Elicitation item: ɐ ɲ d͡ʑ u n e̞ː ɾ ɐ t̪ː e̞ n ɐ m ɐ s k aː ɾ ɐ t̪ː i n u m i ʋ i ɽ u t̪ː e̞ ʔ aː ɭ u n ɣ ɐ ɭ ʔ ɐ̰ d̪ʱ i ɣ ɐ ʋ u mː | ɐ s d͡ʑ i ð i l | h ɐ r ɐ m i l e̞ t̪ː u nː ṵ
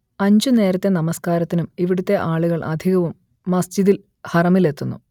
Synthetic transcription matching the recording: ɐ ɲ d͡ʑ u n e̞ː ɾ ɐ t̪ː e̞ n ɐ m ɐ s k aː ɾ ɐ t̪ː i n u m i ʋ i ɽ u t̪ː e̞ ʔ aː ɭ u ɣ ɐ ɭ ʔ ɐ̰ d̪ʱ i ɣ ɐ ʋ u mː | ɐ s d͡ʑ i ð i l | h ɐ r ɐ m i l e̞ t̪ː u nː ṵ